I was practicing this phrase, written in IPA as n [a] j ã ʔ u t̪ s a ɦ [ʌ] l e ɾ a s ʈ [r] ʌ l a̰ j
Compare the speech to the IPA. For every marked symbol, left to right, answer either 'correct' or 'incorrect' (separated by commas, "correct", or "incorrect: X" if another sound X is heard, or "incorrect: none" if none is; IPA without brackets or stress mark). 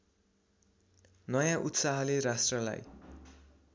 incorrect: ʌ, correct, correct